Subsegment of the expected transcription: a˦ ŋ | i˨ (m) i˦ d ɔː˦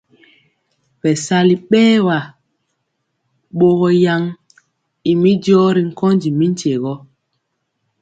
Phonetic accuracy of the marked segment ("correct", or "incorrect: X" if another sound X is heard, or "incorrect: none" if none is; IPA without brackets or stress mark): correct